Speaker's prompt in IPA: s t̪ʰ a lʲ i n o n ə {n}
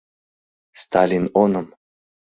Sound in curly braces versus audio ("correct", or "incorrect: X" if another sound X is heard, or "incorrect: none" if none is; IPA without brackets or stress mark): incorrect: m